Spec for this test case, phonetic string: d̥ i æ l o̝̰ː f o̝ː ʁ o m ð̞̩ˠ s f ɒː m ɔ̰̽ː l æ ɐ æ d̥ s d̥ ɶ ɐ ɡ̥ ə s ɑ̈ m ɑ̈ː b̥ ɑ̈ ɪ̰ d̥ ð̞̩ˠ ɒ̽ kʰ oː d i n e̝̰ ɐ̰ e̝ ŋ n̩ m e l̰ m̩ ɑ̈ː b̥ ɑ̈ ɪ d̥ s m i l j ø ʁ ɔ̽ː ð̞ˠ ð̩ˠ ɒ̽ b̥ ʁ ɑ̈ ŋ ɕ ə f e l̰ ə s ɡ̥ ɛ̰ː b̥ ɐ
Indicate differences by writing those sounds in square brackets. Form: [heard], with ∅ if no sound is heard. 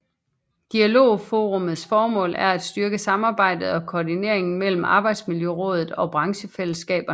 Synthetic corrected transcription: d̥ i æ l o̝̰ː f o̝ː ʁ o m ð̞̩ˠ s f ɒː m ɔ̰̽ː l æ ɐ æ d̥ s d̥ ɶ ɐ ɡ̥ ə s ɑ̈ m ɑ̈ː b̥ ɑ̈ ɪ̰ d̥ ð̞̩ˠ ɒ̽ kʰ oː d i n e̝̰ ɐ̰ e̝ ŋ n̩ m e l̰ m̩ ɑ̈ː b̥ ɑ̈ ɪ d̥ s m i l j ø ʁ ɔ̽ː ð̞ˠ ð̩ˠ ɒ̽ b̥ ʁ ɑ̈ ŋ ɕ ə f e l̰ ə s ɡ̥ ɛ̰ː b̥ ɐ